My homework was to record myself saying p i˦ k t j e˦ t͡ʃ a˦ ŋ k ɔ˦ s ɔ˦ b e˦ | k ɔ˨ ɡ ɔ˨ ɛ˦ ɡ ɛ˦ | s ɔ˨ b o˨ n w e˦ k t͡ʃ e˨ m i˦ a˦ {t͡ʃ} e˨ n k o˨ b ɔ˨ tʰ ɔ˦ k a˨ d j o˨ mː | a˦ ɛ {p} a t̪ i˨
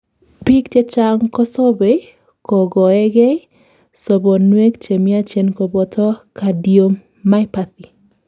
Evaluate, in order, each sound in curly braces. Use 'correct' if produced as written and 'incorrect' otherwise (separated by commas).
correct, correct